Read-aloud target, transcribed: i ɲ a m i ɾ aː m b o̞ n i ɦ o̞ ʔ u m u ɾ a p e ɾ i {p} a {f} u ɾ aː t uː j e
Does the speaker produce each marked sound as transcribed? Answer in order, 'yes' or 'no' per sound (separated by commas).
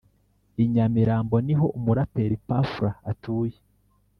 yes, yes